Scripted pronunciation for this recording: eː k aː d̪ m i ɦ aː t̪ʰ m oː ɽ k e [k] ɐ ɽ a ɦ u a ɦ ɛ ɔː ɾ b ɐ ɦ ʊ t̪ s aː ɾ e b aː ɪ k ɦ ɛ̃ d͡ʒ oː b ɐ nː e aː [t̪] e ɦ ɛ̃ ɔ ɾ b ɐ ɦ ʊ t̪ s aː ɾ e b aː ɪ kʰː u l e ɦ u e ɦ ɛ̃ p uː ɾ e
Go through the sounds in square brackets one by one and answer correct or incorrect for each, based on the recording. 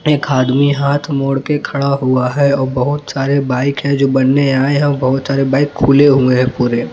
incorrect: kʰ, incorrect: none

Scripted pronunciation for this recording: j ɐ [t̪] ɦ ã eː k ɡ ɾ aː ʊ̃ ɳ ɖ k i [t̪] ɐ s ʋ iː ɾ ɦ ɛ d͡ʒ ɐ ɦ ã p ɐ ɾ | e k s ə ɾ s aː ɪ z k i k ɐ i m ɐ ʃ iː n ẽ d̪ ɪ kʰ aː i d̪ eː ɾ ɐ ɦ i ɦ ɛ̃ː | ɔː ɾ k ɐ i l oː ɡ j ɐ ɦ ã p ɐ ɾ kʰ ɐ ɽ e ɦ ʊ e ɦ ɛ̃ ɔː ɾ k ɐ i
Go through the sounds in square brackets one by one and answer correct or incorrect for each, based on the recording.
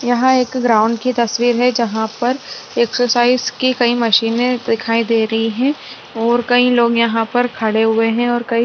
incorrect: none, correct

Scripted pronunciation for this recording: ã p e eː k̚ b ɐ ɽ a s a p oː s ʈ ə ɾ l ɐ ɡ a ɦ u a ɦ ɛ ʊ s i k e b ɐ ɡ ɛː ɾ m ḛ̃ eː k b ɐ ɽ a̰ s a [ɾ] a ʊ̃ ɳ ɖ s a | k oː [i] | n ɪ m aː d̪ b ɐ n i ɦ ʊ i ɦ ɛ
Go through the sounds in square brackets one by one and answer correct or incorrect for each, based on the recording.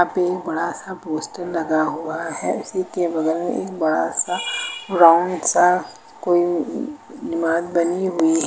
correct, correct

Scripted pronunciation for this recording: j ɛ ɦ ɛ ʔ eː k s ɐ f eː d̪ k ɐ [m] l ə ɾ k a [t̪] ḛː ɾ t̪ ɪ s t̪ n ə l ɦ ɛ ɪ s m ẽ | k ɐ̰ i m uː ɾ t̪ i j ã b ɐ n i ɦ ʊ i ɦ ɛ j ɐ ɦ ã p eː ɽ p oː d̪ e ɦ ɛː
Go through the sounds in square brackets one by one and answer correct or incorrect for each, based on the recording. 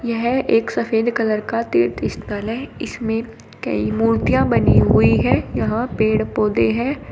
incorrect: none, correct

